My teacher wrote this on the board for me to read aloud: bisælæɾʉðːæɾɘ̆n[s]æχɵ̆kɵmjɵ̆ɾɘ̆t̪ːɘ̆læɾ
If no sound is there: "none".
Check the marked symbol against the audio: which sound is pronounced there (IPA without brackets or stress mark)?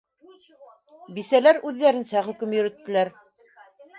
s